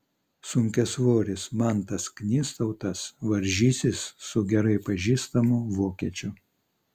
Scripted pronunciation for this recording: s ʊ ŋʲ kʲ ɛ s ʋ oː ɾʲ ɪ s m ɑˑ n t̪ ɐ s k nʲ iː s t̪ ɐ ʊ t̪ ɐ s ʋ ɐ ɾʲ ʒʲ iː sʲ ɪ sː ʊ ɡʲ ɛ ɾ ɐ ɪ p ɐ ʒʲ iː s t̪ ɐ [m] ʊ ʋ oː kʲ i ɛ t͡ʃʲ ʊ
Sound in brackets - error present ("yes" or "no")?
no